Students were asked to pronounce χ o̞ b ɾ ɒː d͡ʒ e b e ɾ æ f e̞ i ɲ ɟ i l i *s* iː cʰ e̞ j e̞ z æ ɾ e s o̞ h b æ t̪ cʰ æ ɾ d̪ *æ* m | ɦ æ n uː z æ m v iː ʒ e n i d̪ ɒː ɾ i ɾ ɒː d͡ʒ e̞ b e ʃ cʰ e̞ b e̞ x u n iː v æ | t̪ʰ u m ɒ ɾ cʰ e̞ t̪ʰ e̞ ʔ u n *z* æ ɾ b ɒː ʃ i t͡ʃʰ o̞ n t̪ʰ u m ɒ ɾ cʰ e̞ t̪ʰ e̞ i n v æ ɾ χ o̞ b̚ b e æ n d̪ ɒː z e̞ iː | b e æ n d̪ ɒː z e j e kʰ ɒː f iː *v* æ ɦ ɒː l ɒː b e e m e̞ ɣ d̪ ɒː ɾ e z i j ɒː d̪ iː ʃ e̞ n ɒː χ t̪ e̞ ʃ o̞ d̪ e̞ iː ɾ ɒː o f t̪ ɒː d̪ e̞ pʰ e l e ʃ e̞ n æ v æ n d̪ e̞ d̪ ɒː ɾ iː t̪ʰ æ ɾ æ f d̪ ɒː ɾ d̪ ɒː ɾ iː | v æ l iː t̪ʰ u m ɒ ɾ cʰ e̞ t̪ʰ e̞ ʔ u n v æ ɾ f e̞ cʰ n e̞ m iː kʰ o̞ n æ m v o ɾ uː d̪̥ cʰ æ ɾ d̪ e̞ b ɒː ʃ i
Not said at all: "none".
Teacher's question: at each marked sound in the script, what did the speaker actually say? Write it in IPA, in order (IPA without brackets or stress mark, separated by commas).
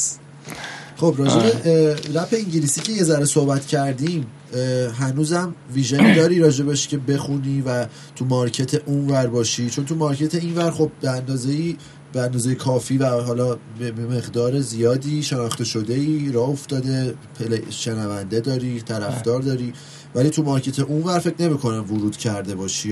s, i, v, v